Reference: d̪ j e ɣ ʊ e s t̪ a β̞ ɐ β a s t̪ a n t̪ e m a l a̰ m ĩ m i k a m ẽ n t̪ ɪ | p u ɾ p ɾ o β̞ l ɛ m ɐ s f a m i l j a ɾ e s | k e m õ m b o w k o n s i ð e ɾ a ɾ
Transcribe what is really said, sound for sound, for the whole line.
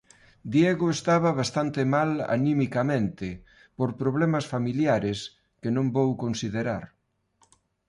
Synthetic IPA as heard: d̪ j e ɣ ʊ e s t̪ a β̞ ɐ β a s t̪ a n t̪ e m a l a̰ n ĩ m i k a m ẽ n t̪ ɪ | p o ɾ p ɾ o β̞ l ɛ m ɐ s f a m i l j a ɾ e s | k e n õ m b o w k o n s i ð e ɾ a ɾ